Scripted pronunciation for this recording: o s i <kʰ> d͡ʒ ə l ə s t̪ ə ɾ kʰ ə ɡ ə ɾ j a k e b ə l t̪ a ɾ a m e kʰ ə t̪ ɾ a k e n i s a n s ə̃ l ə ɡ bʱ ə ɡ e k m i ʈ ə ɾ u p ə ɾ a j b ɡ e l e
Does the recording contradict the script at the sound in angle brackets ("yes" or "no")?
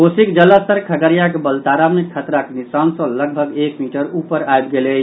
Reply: yes